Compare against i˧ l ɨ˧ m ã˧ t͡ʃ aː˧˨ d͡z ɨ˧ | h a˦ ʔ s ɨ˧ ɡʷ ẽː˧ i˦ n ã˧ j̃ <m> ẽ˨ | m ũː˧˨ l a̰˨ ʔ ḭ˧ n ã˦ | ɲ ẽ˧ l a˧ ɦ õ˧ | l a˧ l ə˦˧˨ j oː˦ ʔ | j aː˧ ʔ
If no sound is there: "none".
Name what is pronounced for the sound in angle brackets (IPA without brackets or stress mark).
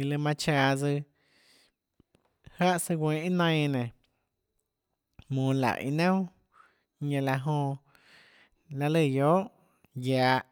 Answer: n